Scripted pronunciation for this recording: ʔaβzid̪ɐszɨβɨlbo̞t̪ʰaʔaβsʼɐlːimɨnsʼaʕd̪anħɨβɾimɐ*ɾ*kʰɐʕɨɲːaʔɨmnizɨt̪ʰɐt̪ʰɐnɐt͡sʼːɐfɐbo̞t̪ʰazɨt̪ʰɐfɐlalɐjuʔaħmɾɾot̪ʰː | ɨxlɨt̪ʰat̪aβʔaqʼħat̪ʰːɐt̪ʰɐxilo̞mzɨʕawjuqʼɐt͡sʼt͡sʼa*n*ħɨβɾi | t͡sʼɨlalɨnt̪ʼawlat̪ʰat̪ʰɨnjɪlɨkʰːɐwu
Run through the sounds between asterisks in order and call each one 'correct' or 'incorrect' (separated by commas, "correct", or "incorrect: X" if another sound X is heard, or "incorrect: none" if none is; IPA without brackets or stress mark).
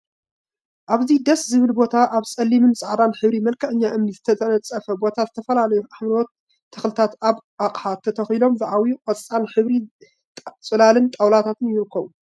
incorrect: l, correct